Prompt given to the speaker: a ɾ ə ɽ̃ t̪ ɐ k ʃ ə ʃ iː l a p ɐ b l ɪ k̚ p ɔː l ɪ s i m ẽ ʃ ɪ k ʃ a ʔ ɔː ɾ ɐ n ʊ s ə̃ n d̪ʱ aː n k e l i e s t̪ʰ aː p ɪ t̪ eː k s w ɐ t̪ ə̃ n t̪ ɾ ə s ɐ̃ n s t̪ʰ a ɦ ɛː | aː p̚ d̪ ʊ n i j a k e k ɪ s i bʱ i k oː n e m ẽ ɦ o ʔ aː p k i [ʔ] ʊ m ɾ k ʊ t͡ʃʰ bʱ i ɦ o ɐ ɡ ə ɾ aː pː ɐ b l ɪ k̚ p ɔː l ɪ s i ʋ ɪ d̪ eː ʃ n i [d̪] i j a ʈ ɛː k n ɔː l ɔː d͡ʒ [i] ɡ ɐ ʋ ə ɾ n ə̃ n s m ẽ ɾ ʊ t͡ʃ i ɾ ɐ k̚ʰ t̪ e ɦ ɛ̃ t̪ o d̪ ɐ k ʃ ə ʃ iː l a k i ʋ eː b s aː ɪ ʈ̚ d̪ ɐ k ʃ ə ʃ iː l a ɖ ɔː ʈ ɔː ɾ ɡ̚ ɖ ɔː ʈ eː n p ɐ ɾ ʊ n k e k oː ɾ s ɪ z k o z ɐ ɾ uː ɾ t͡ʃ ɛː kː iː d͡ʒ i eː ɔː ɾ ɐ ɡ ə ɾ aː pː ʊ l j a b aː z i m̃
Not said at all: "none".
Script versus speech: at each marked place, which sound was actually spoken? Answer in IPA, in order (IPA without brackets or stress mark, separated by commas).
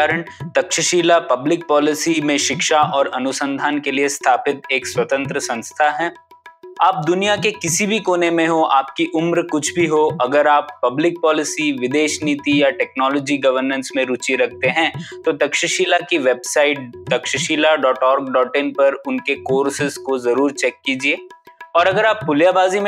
ʔ, t̪, i